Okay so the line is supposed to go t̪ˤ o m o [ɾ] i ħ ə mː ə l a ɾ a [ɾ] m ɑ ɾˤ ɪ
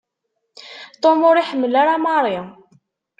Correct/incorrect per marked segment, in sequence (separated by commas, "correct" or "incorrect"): correct, incorrect